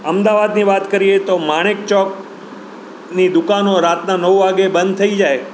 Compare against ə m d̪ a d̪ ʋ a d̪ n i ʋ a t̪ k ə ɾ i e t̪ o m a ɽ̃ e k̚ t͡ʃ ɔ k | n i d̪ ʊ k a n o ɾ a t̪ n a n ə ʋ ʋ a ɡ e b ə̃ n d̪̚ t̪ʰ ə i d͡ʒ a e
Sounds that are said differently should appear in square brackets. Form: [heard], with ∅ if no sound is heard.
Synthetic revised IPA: ə m d̪ a [∅] ʋ a d̪ n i ʋ a t̪ k ə ɾ i e t̪ o m a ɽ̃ e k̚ t͡ʃ ɔ k | n i d̪ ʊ k a n o ɾ a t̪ n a n ə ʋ ʋ a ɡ e b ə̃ n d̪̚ t̪ʰ ə i d͡ʒ a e